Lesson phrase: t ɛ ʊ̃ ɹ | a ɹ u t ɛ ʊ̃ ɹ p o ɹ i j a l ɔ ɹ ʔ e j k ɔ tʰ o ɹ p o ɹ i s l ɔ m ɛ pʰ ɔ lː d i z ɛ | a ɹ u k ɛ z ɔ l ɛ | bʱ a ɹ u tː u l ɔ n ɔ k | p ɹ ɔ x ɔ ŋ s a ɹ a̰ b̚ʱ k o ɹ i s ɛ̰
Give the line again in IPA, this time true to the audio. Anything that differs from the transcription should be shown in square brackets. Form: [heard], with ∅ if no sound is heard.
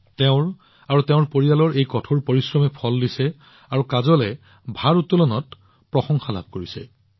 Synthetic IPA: t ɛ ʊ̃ ɹ | a ɹ u t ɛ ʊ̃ ɹ p o ɹ i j a l ɔ ɹ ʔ e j k ɔ tʰ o ɹ p o ɹ i s [ɹ] ɔ m ɛ pʰ ɔ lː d i [s] ɛ | a ɹ u k [a] z ɔ l ɛ | bʱ a ɹ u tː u l ɔ n ɔ [t] | p ɹ ɔ x ɔ ŋ [x] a [l] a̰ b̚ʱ k o ɹ i s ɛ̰